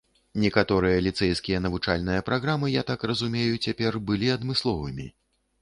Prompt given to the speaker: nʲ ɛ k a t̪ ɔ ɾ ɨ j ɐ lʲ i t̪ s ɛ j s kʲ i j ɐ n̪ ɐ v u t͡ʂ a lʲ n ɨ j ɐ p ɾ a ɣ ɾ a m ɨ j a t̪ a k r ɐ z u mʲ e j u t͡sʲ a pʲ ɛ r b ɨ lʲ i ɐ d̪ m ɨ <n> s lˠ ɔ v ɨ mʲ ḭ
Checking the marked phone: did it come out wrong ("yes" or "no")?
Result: yes